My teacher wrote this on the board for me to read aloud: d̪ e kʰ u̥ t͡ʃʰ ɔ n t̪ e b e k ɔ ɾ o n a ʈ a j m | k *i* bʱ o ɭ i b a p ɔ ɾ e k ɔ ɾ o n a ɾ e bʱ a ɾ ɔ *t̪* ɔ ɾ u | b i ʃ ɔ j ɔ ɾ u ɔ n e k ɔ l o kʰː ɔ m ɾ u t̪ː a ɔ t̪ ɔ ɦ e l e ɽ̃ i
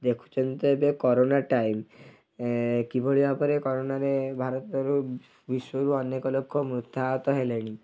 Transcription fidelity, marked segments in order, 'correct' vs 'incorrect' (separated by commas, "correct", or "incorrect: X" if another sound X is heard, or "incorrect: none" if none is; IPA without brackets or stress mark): correct, correct